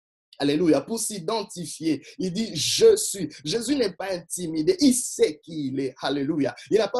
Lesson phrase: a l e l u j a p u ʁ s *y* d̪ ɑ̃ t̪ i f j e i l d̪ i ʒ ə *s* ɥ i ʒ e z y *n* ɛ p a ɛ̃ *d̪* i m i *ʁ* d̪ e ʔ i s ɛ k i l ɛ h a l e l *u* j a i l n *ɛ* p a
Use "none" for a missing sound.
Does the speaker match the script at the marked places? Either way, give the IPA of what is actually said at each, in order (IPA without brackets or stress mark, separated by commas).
i, s, n, t̪, none, u, a